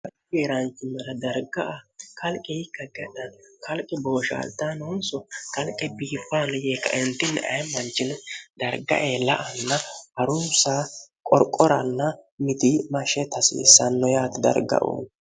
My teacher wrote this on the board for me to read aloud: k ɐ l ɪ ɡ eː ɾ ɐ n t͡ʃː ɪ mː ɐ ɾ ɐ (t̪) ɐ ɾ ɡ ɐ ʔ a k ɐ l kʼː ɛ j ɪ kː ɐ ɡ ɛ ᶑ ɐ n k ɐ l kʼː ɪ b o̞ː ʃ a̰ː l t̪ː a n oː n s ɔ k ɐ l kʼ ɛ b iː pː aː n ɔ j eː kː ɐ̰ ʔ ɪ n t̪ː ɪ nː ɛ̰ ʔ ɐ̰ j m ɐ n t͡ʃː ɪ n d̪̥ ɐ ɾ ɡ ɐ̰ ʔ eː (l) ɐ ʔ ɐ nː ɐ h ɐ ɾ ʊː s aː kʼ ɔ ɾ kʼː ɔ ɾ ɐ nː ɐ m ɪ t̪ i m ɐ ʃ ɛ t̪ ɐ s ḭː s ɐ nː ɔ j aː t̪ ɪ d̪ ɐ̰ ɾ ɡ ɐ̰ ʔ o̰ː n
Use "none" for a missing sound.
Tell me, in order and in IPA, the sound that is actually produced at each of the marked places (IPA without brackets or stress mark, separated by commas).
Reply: d̪, l